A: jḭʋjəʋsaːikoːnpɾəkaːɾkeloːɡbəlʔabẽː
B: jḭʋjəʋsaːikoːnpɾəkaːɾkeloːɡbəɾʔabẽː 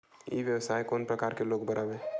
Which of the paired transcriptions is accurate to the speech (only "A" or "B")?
B